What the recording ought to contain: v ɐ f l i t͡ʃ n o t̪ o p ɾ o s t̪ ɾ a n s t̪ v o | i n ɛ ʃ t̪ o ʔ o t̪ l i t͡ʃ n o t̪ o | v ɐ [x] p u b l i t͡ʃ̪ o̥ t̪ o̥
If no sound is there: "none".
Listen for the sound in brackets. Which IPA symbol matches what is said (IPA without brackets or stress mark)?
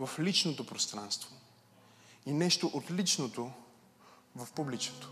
f